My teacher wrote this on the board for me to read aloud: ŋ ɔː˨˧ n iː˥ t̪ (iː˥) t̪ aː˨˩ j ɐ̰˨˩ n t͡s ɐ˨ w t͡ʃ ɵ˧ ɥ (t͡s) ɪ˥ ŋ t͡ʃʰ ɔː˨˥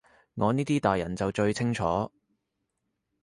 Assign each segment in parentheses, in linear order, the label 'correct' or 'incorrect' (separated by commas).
correct, incorrect